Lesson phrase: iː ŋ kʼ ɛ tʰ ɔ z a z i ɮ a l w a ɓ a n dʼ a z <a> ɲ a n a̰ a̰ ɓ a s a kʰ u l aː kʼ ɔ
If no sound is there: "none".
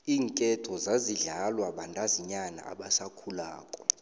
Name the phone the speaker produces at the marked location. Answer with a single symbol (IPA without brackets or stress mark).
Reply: i